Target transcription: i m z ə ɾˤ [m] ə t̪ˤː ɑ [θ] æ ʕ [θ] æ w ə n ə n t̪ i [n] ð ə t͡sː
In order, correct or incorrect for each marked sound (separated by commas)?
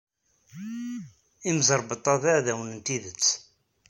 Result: incorrect, incorrect, incorrect, incorrect